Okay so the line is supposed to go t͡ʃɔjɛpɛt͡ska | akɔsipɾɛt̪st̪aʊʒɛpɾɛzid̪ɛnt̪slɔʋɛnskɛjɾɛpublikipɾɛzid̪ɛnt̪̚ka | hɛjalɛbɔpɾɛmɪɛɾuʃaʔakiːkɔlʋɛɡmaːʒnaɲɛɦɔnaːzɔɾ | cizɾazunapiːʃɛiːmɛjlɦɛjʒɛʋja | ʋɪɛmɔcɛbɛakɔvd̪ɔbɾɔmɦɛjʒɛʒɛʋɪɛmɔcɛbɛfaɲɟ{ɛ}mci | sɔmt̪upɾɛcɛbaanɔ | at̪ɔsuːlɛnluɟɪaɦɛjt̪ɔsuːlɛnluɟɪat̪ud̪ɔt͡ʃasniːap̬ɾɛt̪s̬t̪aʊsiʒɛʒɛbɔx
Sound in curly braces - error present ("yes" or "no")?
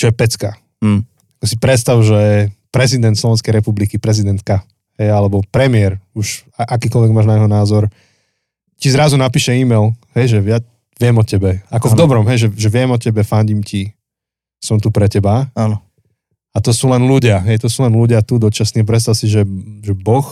yes